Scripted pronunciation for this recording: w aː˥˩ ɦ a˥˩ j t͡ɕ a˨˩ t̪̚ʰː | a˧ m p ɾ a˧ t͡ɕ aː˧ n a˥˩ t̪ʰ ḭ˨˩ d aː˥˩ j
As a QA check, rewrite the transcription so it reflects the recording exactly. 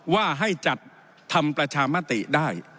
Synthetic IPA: w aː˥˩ ɦ a˥˩ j t͡ɕ a˨˩ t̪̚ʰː | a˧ m p ɾ a˧ t͡ɕʰ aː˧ m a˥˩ t̪ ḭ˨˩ d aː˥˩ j